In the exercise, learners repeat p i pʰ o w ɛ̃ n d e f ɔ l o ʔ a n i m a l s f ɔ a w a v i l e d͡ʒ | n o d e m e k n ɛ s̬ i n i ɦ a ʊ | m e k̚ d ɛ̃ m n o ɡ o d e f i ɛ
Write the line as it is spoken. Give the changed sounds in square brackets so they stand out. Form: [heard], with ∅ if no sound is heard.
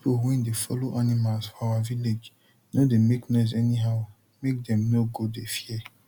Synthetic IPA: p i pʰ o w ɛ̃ n d e f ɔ l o ʔ a n i m a l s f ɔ a w a v i l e d͡ʒ | n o d e m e k n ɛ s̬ [ɛ] n i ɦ a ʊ | m e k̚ d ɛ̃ m n o ɡ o d e f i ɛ

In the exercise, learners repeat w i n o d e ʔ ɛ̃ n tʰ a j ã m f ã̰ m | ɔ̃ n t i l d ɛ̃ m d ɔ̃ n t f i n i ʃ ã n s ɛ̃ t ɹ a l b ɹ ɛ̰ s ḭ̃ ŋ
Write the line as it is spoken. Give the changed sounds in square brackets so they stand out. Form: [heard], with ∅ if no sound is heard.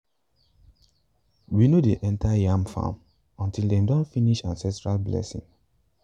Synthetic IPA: w i n o d e ʔ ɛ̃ n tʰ a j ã m f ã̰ m | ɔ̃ n t i l d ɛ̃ m d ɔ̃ n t f i n i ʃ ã n s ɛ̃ t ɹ a l b [l] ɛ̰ s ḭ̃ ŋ

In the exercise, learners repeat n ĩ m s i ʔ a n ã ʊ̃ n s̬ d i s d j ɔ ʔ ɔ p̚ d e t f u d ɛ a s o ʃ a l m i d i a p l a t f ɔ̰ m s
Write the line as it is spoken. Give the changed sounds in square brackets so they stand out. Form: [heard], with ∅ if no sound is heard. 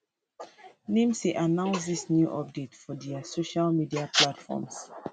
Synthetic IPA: n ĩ m s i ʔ a n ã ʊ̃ n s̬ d i s [n] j [u] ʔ ɔ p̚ d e t f [ɔ] d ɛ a s o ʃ a l m i d i a p l a t f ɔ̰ m s

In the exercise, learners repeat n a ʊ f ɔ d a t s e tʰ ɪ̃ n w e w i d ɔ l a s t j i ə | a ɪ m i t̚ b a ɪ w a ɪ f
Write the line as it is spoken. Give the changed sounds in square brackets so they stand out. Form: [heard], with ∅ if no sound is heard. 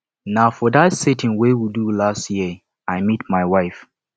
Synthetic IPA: n a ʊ f ɔ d a t s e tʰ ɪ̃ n w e w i d [u] l a s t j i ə | a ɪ m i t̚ [m] a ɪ w a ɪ f

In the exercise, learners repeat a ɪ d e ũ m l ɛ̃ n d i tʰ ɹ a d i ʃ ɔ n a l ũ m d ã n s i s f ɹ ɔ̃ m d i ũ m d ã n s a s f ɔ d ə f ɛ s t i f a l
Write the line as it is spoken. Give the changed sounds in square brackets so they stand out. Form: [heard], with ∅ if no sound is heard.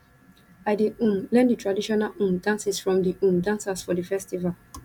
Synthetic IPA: a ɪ d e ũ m l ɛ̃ n d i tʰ ɹ a d i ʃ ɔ n a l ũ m d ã n s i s f ɹ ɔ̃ m d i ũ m d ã n s a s f ɔ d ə f ɛ s t i [v] a l

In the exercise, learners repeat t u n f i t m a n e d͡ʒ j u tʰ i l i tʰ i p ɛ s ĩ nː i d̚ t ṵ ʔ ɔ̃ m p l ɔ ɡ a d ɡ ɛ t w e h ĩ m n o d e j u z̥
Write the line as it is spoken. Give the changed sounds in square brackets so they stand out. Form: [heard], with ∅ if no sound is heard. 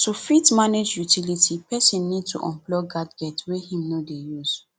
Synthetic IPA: t u [∅] f i t m a n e d͡ʒ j u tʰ i l i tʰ i p ɛ s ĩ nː i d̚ t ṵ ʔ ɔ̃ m p l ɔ ɡ a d ɡ ɛ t w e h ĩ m n o d e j u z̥

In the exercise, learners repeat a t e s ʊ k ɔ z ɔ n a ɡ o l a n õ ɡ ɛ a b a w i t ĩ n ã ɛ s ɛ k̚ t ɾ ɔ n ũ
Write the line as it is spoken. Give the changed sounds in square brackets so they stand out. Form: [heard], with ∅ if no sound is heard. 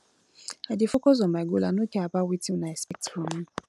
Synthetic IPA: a [d] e [f] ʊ k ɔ z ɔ [m] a ɡ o l a n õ [k] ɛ a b a w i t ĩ n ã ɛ s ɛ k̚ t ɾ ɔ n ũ

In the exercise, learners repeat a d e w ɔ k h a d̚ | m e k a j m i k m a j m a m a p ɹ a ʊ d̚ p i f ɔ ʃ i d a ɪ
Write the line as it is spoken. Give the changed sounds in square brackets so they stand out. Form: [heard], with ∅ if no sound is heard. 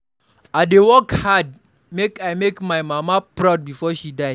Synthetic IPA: a d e w ɔ k h a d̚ | m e k a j m [e] k m a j m a m a p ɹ a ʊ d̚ [b] i f ɔ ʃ i d a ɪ

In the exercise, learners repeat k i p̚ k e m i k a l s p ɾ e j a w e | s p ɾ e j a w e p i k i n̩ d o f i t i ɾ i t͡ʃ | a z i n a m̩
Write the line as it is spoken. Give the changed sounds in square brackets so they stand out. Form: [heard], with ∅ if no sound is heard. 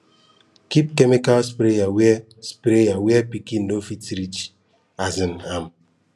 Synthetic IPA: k i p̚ k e m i k a l s p ɾ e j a w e | s p ɾ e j a w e p i k i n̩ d o f i t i ɾ i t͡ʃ | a z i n a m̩

